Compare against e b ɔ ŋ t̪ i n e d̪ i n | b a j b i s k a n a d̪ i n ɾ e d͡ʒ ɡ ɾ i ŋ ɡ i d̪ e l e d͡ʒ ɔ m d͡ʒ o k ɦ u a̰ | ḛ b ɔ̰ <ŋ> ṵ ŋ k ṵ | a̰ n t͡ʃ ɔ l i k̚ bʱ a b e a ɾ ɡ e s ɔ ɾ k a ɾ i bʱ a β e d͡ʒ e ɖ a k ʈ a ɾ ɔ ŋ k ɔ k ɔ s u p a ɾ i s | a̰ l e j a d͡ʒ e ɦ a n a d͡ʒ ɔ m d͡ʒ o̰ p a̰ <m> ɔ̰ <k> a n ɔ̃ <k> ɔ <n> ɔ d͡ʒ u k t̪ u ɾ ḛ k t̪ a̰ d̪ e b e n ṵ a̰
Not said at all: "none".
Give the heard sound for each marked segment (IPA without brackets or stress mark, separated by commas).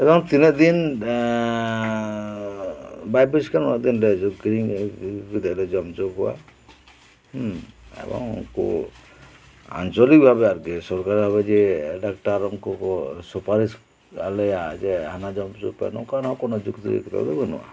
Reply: ŋ, n, k, k, n